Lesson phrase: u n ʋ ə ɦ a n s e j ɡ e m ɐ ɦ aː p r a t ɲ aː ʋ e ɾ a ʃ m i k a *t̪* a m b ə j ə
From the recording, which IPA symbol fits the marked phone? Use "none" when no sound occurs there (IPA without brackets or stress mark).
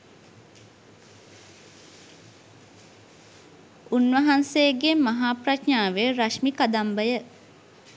d̪